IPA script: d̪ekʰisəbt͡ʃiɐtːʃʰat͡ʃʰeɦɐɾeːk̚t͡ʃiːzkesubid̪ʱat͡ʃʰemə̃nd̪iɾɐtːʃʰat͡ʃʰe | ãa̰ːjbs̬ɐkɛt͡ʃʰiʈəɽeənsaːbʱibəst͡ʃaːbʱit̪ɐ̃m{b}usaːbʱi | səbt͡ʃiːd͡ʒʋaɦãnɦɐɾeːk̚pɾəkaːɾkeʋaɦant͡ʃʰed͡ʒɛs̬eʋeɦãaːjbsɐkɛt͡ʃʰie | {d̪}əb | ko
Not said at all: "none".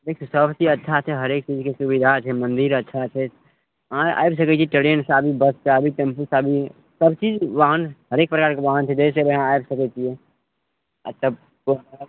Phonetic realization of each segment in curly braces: p, t̪

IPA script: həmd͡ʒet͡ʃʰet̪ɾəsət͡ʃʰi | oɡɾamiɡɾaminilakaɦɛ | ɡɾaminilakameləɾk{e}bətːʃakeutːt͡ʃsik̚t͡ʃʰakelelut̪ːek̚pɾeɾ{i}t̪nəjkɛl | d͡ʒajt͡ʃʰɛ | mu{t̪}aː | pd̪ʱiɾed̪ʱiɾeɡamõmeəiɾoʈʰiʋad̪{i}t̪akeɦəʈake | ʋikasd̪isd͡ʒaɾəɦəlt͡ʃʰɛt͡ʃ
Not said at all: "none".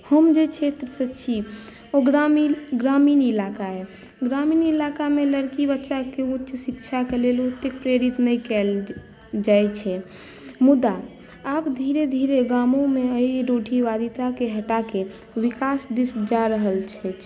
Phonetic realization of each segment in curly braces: i, i, d̪, i

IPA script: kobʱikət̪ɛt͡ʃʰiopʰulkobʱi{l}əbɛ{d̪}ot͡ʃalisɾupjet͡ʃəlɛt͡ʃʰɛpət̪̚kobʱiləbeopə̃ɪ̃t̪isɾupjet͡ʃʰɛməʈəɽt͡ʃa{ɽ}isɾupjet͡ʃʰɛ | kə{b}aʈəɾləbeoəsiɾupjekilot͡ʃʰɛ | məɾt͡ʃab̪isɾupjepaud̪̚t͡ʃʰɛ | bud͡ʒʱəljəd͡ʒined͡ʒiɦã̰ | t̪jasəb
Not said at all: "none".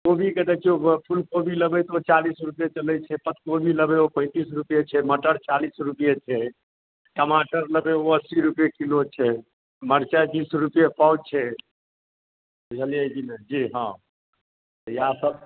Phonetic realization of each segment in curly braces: l, t̪, l, m

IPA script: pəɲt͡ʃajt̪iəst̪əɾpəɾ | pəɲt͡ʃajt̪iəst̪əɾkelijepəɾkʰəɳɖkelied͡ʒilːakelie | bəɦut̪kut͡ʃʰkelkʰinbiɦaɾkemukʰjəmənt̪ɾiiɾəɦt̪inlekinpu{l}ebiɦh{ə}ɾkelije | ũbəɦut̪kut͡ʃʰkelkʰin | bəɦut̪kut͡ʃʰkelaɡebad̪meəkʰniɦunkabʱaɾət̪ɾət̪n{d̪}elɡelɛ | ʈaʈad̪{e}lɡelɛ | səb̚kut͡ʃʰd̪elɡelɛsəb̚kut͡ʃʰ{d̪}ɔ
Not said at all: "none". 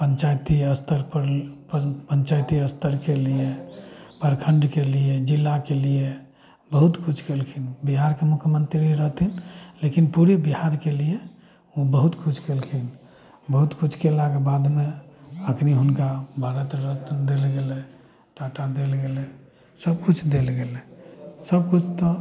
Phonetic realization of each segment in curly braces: ɾ, a, d̪, e, t̪

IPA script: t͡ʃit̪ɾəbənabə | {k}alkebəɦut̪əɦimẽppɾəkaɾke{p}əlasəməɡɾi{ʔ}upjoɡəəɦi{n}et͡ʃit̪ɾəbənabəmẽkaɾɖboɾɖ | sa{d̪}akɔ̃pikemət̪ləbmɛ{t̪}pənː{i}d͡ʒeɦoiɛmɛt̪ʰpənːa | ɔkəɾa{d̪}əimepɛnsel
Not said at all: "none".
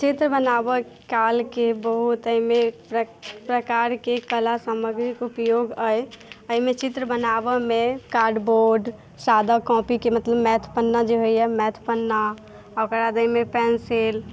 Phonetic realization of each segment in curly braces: k, k, k, m, d̪, t̪ʰ, a, d̪

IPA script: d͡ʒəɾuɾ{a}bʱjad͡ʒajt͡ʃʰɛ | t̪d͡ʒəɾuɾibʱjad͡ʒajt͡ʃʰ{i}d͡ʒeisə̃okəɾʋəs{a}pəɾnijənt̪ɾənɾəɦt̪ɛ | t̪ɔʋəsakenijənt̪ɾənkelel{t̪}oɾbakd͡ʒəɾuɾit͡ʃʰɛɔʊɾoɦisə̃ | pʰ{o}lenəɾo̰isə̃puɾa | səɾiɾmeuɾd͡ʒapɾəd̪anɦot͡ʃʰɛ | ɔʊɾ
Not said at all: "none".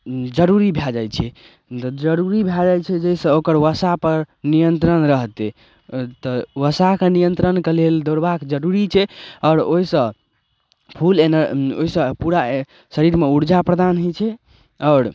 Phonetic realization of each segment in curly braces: i, ɛ, a, d̪, u

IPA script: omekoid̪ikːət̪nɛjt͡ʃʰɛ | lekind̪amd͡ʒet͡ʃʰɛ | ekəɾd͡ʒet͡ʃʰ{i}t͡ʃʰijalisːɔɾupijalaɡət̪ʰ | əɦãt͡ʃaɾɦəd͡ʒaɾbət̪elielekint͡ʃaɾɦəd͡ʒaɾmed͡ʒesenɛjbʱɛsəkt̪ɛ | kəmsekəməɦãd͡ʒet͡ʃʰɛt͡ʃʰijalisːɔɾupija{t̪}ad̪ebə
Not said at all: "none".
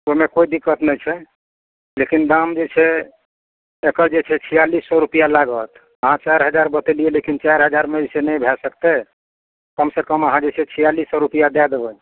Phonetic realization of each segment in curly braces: ɛ, d̪

